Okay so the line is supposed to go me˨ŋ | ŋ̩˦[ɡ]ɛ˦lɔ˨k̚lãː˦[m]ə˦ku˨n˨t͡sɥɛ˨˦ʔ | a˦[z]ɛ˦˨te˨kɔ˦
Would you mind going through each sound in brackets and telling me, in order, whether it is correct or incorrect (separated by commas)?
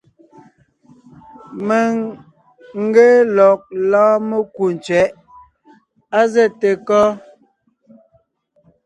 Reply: correct, correct, correct